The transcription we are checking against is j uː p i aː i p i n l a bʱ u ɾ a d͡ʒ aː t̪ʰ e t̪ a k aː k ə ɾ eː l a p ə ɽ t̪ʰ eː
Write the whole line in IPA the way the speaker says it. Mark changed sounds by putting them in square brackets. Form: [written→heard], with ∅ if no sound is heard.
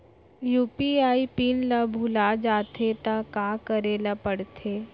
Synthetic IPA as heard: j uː p i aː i p i n l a bʱ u [ɾ→l] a d͡ʒ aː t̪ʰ e t̪ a k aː k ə ɾ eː l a p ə ɽ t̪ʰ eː